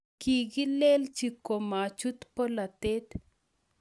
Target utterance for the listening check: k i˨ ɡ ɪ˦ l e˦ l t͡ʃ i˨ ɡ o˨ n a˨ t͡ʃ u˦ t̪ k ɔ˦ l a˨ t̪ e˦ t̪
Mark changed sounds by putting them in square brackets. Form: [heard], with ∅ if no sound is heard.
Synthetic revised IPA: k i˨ ɡ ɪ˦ l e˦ l t͡ʃ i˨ [k] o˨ [m] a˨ t͡ʃ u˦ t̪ [p] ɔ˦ l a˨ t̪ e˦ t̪